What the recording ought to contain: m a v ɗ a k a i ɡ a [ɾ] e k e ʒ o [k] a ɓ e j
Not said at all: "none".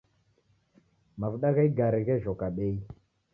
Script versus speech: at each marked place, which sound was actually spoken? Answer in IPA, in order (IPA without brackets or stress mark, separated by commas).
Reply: ɾ, k